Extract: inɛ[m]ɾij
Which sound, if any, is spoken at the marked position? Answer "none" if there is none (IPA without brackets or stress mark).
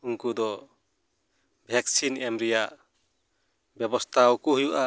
m